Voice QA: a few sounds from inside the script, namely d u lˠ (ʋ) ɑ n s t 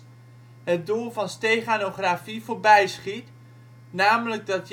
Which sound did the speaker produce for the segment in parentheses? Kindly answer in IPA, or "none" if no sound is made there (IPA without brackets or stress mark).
v